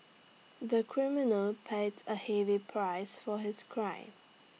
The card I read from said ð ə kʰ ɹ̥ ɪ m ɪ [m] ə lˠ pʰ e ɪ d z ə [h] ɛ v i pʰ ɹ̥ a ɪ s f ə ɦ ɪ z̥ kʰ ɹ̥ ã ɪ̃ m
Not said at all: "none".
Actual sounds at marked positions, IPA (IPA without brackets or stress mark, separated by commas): n, h